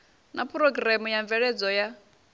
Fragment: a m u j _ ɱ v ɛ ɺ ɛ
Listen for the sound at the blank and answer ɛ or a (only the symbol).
a